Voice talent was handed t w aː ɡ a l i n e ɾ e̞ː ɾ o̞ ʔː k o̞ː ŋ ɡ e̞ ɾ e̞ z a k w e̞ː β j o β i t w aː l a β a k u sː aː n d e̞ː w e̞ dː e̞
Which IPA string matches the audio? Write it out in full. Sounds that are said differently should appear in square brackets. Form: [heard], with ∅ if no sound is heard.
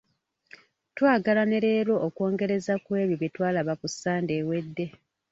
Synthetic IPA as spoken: t w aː ɡ a l [a] n e ɾ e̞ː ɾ o̞ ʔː k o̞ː ŋ ɡ e̞ ɾ e̞ z a k w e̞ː β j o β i t w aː l a β a k u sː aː n d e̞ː w e̞ dː e̞